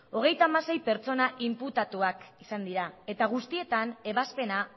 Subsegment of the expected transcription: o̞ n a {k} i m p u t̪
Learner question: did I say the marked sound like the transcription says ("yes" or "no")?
no